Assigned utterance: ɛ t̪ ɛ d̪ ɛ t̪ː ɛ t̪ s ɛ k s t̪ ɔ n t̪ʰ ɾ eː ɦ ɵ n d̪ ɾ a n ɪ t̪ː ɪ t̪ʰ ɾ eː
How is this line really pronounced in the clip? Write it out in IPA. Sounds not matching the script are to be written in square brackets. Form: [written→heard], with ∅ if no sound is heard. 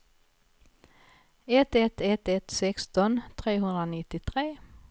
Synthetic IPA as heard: ɛ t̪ ɛ [d̪→t̪] ɛ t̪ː ɛ t̪ s ɛ k s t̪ ɔ n t̪ʰ ɾ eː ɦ ɵ n d̪ ɾ a n ɪ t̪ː ɪ t̪ʰ ɾ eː